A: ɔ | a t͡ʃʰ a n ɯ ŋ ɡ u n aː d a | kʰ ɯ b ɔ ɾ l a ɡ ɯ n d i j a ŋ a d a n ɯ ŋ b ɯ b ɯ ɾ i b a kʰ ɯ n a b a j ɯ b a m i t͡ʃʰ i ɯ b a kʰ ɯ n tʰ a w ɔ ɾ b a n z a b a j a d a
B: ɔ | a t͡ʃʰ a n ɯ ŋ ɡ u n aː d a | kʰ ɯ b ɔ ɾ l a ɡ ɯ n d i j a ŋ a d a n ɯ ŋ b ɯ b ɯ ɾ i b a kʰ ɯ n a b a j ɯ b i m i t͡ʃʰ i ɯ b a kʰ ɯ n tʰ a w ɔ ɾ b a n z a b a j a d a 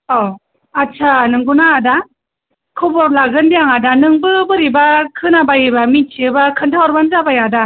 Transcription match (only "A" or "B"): A